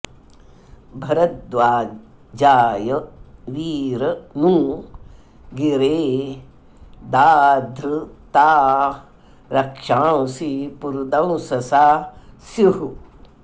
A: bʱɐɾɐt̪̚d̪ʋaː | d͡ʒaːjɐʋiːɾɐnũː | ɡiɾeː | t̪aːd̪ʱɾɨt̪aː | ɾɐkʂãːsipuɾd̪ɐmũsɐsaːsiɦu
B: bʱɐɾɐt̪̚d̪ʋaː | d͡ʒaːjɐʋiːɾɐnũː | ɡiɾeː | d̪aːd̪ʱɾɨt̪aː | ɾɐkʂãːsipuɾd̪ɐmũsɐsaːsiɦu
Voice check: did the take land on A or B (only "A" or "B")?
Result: B